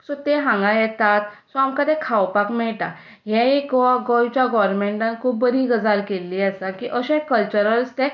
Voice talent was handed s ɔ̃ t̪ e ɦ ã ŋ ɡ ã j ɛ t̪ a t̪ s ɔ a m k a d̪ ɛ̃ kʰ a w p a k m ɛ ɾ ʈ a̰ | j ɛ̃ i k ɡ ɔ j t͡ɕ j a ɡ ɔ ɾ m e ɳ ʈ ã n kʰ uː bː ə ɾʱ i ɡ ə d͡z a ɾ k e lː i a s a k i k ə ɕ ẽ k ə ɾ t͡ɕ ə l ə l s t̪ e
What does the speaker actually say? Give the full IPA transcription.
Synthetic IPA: s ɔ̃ t̪ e ɦ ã ŋ ɡ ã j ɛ t̪ a t̪ s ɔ a m k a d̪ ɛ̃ kʰ a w p a k m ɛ ɭ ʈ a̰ | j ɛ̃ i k ɡ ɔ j t͡ɕ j a ɡ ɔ ɾ m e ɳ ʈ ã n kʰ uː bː ə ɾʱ i ɡ ə d͡z a ɾ k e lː i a s a k i ʔ ə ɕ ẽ k ə l t͡ɕ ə ɾ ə l s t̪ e